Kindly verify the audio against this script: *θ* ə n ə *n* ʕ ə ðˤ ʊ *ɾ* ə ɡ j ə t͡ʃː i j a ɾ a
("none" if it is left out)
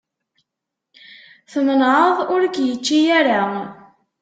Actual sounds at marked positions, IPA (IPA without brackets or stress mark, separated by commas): θ, n, ɾ